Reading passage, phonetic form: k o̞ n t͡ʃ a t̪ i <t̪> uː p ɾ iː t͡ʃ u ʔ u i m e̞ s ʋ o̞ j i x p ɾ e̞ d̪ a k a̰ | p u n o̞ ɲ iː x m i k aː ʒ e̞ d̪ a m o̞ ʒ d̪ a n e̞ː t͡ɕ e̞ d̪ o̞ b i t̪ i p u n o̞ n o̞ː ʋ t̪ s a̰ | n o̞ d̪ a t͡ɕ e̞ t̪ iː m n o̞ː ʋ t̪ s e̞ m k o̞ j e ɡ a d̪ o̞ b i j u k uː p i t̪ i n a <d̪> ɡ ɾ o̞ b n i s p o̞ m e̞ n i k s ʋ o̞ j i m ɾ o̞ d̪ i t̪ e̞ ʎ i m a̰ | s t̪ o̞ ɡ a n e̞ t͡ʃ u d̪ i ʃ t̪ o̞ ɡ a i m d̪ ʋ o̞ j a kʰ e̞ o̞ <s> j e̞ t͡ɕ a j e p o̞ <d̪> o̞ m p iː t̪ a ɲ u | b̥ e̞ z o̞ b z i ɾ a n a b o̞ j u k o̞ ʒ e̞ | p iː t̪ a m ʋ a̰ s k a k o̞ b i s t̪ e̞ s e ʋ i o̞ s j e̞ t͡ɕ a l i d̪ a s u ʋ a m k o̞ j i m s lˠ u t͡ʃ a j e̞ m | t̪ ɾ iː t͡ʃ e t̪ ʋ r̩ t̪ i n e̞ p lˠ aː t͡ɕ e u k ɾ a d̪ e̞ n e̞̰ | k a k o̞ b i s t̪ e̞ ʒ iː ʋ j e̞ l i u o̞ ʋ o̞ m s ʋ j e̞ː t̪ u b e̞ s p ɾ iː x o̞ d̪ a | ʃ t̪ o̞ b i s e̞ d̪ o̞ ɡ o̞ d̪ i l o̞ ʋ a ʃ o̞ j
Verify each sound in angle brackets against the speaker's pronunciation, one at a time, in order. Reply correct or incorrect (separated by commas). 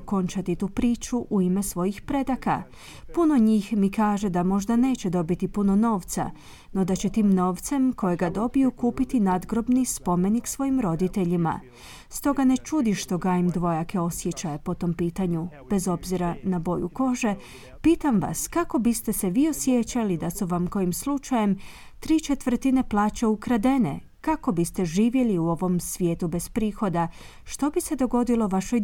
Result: correct, correct, correct, incorrect